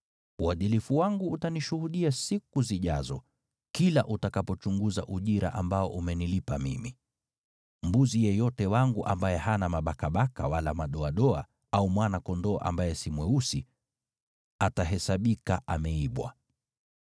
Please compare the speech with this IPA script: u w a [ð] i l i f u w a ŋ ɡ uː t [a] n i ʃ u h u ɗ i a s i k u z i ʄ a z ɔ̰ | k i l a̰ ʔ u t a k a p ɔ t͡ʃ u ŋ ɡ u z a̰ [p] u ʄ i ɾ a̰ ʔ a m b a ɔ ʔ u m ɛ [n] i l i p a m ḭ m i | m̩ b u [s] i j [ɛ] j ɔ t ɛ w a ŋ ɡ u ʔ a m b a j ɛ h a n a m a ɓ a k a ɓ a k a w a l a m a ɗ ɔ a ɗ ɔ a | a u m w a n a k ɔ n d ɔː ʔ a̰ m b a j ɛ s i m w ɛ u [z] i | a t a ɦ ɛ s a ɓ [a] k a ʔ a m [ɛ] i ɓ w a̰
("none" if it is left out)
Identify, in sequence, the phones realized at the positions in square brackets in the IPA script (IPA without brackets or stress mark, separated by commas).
ð, a, ʔ, n, z, ɛ, s, i, ɛ